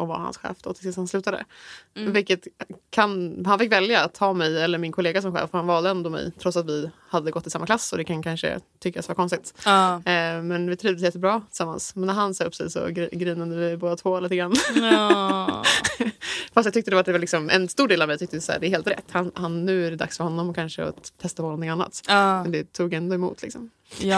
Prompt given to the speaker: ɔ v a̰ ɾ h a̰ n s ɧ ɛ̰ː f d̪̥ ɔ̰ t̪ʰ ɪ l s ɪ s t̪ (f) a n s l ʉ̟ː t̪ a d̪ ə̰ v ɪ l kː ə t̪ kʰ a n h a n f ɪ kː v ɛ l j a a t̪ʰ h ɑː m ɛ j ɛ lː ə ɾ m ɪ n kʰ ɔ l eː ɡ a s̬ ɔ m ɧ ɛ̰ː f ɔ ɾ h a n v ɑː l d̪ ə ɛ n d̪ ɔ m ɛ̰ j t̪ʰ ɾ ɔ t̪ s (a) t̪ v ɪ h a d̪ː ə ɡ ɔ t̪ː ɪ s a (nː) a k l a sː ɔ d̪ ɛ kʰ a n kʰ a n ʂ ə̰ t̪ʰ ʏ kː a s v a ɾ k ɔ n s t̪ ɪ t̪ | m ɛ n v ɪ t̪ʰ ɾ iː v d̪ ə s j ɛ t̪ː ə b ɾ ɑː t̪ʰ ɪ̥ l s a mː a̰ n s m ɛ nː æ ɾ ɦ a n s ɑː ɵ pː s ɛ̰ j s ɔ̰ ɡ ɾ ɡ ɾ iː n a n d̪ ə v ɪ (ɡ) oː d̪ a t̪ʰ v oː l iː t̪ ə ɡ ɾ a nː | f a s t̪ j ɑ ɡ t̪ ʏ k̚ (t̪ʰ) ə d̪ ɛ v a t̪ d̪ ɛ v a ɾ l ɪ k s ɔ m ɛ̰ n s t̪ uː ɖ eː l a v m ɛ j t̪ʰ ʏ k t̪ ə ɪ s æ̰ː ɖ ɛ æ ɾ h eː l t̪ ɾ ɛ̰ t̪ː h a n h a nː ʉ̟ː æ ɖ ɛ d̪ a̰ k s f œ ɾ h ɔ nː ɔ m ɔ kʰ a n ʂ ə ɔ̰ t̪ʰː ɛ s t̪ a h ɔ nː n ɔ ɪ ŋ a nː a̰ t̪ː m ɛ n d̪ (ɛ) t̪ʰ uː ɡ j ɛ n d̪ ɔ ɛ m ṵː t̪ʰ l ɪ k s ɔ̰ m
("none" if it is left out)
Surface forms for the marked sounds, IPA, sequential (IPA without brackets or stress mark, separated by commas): h, a, mː, b, t̪, ɛ